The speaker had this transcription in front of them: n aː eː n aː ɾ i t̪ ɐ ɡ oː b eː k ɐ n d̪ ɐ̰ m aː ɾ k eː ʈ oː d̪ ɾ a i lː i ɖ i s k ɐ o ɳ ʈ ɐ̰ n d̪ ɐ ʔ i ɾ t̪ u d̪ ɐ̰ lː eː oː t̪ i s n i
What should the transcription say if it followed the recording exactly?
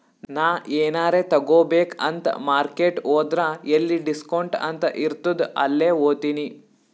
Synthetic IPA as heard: n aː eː n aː ɾ e t̪ ɐ ɡ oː b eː k ɐ n t̪ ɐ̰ m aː ɾ k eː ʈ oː d̪ ɾ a e lː i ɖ i s k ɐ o ɳ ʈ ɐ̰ n t̪ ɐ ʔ i ɾ t̪ u d̪ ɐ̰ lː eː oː t̪ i n i